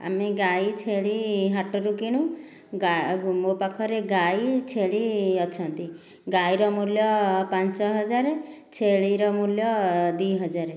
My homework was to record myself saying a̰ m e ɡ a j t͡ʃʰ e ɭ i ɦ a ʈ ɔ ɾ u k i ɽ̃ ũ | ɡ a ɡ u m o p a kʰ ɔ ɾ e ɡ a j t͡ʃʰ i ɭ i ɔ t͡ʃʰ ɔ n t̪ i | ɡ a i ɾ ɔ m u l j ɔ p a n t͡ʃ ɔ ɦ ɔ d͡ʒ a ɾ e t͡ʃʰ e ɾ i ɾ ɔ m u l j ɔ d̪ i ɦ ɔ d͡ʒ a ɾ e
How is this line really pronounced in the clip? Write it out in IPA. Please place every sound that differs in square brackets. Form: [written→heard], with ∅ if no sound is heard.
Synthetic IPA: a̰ m e ɡ a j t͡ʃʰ e ɭ i ɦ a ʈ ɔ ɾ u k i ɽ̃ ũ | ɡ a ɡ u m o p a kʰ ɔ ɾ e ɡ a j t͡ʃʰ [i→e] ɭ i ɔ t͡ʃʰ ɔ n t̪ i | ɡ a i ɾ ɔ m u l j ɔ p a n t͡ʃ ɔ ɦ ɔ d͡ʒ a ɾ e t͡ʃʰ e [ɾ→ɭ] i ɾ ɔ m u l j ɔ d̪ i ɦ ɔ d͡ʒ a ɾ e